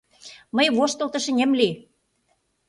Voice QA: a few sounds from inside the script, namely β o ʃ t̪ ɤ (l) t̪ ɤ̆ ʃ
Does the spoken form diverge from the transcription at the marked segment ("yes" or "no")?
no